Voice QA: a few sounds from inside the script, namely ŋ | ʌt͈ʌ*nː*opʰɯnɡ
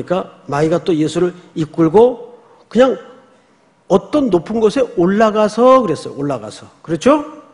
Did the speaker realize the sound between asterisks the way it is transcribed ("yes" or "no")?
yes